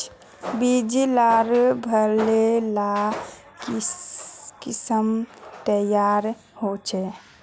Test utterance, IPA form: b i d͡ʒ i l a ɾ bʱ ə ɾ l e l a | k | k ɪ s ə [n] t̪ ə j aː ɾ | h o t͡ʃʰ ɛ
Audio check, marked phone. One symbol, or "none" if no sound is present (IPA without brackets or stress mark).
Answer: m